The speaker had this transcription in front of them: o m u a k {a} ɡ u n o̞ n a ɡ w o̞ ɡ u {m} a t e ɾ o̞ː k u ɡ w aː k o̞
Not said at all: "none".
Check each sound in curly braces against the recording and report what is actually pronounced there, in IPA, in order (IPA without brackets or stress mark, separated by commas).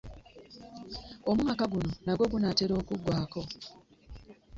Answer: a, n